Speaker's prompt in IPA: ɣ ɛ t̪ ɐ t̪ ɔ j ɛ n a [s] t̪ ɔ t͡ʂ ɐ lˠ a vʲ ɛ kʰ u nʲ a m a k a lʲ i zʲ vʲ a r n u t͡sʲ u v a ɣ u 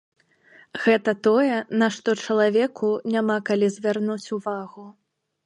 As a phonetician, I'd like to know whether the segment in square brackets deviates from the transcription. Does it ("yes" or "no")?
yes